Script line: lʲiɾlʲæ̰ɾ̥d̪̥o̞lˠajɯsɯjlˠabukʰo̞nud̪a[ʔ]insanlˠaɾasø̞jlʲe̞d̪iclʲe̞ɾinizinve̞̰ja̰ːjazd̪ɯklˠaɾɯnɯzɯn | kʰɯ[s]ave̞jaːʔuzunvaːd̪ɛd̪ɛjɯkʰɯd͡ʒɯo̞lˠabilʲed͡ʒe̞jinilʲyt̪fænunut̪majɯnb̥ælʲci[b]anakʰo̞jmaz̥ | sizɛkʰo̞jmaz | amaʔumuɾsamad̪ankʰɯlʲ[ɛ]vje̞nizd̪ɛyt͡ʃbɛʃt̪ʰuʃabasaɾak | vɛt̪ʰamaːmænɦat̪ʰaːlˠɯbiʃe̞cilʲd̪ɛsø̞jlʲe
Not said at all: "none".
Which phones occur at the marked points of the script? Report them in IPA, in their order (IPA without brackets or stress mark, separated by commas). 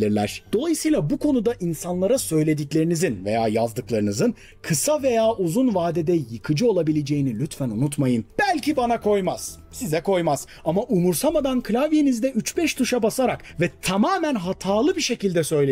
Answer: ʔ, s, b, a